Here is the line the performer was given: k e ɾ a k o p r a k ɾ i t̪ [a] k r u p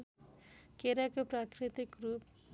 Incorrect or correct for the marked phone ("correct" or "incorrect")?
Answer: incorrect